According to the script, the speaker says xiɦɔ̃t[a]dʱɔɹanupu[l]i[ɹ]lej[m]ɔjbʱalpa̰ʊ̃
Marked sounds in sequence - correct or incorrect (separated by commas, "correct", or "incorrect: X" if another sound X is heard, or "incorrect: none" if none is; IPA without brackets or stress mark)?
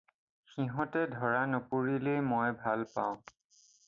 incorrect: ɛ, incorrect: ɹ, incorrect: none, correct